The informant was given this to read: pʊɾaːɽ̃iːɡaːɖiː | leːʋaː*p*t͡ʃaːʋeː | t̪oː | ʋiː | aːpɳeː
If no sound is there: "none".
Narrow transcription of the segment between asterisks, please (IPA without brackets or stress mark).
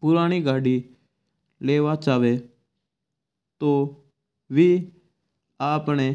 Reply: none